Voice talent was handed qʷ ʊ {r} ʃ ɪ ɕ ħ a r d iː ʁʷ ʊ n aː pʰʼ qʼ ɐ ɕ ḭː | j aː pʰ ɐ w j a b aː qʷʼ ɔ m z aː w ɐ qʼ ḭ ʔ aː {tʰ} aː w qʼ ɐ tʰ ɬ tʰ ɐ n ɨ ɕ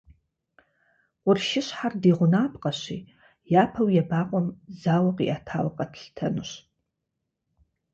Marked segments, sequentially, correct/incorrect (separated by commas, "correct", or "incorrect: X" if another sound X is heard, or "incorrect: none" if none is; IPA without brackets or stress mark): correct, correct